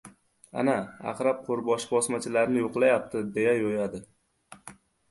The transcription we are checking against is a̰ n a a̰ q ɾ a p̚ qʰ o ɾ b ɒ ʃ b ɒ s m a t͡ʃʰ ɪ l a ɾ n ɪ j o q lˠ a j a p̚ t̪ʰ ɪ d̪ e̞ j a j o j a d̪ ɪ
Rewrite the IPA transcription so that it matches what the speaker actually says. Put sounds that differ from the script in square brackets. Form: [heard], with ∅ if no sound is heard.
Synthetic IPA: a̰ n a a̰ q ɾ a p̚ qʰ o ɾ b ɒ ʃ b ɒ s m a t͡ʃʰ ɪ l a ɾ n ɪ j o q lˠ a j a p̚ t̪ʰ ɪ d̪ e̞ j a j o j a d̪ ɪ